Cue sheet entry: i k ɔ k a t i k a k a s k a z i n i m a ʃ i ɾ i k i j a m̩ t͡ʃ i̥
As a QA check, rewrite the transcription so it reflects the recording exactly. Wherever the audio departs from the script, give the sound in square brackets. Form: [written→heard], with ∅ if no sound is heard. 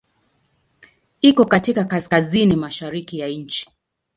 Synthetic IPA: i k ɔ k a t i k a k a s k a z i n i m a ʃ [i→a] ɾ i k i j a [m̩→ɲ̩] t͡ʃ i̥